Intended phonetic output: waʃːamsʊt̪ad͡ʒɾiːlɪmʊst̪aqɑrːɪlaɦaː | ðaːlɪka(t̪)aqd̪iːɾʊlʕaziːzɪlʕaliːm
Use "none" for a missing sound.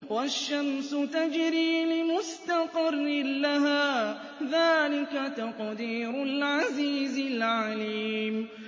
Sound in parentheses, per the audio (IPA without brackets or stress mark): t̪